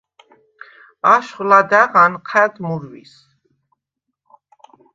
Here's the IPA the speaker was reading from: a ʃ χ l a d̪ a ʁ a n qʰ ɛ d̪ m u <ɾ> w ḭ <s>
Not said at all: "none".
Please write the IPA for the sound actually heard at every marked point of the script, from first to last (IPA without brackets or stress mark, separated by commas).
ɾ, s